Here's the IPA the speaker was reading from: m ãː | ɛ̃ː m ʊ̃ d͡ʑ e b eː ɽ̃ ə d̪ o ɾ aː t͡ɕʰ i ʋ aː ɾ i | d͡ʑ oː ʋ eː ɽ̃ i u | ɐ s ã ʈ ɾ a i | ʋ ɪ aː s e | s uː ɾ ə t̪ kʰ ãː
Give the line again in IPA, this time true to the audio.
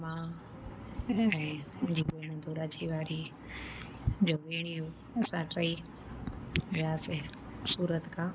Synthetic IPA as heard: m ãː | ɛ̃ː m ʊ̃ d͡ʑ i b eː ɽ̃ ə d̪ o ɾ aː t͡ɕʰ i ʋ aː ɾ i | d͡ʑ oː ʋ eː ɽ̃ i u | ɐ s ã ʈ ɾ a i | ʋ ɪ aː s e | s uː ɾ ə t̪ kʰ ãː